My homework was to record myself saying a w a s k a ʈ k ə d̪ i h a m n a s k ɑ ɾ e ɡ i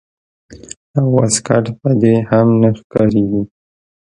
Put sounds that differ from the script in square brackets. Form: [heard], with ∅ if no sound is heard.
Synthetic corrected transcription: a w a s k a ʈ [p] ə d̪ [e] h a m n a [x] k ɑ ɾ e ɡ i